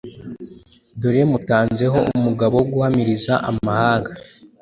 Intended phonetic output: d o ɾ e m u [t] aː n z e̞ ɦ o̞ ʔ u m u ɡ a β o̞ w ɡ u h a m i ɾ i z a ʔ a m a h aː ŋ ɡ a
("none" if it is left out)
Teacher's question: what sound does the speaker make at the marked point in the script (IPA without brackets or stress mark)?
t